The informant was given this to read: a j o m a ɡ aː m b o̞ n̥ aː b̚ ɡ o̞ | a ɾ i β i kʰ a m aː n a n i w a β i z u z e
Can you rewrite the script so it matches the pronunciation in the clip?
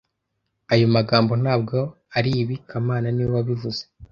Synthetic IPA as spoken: a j o m a ɡ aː m b o̞ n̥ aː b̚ ɡ o̞ | a ɾ i β i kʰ a m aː n a n i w a β i v u z e